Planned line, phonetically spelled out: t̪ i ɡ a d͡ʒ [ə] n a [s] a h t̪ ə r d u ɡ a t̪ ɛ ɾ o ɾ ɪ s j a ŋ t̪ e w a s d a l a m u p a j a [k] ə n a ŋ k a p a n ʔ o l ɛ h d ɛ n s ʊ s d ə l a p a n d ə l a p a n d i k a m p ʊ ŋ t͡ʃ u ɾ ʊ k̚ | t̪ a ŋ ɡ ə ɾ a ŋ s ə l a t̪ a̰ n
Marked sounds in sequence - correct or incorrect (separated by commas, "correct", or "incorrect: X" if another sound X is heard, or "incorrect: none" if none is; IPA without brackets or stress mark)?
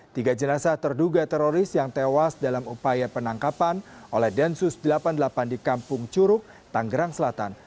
correct, correct, incorrect: p